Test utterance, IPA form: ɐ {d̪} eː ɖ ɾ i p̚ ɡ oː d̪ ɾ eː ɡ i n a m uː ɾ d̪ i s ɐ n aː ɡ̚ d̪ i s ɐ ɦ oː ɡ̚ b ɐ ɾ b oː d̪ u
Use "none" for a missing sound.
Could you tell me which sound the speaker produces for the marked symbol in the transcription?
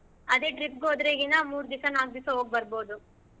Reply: d̪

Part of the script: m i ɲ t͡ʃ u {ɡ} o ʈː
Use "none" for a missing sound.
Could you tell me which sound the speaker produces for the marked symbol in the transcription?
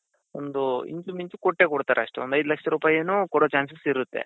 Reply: k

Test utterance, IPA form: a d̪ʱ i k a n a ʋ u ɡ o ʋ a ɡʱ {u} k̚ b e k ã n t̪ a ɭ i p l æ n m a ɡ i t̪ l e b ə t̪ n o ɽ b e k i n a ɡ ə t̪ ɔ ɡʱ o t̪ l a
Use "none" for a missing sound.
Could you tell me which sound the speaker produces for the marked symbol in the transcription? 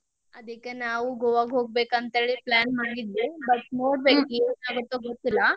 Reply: o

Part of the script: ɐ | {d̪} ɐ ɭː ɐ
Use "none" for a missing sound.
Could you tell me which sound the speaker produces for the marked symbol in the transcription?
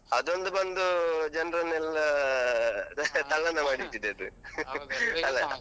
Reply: t̪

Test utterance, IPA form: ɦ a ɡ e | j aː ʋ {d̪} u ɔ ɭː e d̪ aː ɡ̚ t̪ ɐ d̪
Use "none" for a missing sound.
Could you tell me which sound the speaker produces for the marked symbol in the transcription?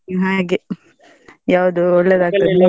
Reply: d̪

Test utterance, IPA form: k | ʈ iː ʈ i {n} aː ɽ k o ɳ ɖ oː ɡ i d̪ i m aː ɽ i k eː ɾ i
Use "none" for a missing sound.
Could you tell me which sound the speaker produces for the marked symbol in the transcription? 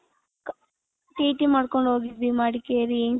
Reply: m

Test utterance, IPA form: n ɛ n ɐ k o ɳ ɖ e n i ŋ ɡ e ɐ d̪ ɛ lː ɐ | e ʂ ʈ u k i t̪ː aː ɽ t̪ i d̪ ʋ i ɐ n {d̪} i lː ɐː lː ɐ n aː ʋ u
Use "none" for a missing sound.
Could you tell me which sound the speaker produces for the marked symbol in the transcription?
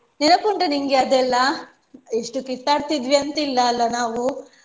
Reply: t̪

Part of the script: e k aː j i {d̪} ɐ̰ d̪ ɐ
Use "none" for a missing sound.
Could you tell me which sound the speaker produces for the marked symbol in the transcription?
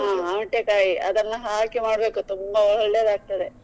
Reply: none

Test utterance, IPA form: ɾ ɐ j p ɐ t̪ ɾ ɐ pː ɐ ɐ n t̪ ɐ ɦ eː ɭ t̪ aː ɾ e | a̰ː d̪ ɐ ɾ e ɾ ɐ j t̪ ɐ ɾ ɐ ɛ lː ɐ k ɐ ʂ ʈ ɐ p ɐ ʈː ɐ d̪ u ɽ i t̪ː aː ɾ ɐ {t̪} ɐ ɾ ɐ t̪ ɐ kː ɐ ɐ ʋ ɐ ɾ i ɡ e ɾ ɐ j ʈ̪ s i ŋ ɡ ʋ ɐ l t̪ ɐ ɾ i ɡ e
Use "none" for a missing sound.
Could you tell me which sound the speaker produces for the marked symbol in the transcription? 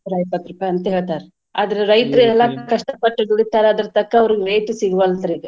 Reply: d̪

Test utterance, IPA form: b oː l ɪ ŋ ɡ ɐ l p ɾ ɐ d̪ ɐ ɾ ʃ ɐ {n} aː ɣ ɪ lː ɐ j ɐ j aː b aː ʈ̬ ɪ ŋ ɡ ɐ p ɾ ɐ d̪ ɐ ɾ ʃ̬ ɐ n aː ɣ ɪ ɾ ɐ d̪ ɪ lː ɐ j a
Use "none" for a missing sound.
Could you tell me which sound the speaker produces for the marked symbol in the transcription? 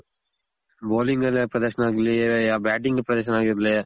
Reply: n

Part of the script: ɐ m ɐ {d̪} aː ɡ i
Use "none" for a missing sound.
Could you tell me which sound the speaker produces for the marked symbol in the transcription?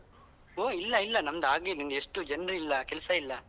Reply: d̪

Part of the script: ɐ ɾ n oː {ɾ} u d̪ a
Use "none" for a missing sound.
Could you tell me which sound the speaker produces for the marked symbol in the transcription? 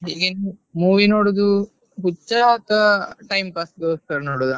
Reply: ɽ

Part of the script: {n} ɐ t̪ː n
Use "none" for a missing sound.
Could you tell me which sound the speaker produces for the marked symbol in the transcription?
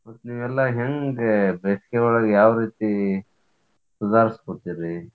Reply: m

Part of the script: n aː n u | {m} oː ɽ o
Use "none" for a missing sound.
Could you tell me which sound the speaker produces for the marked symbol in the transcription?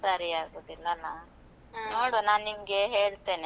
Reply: n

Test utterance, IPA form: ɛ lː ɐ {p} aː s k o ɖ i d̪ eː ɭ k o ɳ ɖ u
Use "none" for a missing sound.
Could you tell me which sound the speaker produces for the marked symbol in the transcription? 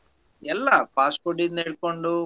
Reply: p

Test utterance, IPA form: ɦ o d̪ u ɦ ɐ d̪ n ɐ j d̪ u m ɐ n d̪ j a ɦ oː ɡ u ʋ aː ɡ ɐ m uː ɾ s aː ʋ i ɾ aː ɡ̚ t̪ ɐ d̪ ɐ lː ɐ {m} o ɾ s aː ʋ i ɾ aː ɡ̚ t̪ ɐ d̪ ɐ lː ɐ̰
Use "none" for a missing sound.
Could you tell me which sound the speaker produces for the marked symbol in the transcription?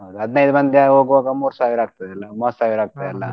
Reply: m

